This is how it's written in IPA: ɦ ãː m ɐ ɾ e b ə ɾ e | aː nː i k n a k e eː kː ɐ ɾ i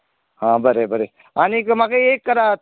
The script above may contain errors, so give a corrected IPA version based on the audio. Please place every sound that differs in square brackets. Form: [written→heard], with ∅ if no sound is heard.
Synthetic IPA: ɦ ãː [m→b] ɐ ɾ e b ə ɾ e | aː [nː→n] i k [n→m] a k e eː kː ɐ ɾ [i→a]

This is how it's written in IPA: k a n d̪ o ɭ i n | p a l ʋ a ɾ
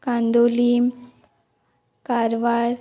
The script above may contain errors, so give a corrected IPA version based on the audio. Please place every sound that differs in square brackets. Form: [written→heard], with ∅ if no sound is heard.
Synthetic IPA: k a n d̪ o [ɭ→l] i [n→m] | [p→k] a [l→ɾ] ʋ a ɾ

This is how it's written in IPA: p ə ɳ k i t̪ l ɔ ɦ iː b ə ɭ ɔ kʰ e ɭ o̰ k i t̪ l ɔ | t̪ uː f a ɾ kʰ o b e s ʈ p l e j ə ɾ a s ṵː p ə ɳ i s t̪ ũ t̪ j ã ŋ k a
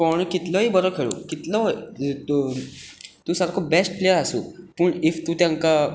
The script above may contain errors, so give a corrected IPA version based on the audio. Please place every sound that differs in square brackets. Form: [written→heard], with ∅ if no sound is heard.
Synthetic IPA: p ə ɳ k i t̪ l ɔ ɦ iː b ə [ɭ→ɾ] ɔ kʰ e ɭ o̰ k i t̪ l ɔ | t̪ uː [f→s] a ɾ kʰ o b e s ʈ p l e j ə ɾ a s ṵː p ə ɳ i [s→f] t̪ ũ t̪ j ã ŋ k a

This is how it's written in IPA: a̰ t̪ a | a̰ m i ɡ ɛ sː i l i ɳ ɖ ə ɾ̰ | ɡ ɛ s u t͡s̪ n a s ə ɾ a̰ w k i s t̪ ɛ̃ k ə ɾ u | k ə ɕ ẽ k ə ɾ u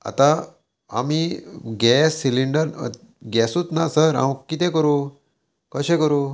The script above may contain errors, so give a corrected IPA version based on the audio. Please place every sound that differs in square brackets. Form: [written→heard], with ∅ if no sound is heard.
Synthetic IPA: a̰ t̪ a | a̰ m i ɡ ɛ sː i l i ɳ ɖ ə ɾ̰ | ɡ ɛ s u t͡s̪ n a s ə ɾ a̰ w k i [s→∅] t̪ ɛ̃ k ə ɾ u | k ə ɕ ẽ k ə ɾ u

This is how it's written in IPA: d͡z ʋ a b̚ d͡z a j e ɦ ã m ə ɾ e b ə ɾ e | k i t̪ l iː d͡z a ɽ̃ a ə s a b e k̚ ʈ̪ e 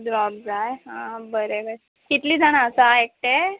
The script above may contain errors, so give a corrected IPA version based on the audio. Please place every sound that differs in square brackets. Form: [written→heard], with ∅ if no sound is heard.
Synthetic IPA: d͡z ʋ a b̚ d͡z a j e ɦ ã [m→b] ə ɾ e b ə ɾ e | k i t̪ l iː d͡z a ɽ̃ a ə s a [b→∅] e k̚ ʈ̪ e

